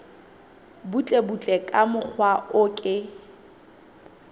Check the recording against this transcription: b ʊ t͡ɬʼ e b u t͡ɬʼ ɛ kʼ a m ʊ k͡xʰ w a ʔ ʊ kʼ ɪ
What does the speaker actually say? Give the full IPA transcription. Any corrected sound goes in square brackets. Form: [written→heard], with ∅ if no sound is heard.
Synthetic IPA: b [ʊ→u] t͡ɬʼ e b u t͡ɬʼ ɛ kʼ a m ʊ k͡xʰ w a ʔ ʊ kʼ ɪ